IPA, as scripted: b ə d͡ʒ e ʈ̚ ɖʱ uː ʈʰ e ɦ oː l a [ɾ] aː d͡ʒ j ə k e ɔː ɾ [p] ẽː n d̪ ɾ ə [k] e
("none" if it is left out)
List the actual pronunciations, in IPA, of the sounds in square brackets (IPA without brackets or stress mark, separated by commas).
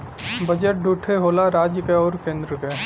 ɾ, k, k